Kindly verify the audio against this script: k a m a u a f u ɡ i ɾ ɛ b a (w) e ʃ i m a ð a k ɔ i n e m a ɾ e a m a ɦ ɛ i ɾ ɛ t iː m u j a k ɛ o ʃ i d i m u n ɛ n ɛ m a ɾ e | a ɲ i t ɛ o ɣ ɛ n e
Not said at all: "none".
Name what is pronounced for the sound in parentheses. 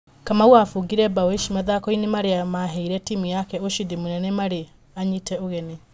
w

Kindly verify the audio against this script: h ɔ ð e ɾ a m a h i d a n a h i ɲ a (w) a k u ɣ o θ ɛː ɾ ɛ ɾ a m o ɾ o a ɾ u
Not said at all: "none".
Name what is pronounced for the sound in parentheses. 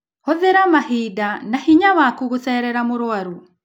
w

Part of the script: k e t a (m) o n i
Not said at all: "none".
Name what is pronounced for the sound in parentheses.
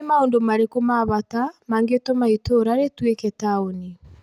none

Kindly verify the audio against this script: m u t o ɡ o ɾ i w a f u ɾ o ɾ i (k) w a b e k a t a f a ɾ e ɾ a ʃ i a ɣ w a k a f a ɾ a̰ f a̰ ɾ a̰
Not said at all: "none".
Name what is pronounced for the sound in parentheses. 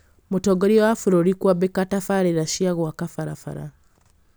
k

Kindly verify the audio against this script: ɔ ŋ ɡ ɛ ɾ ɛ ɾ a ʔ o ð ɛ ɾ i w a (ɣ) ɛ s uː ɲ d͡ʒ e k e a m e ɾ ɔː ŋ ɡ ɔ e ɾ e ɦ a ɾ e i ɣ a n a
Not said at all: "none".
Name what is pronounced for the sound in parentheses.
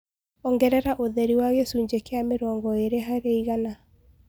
ɣ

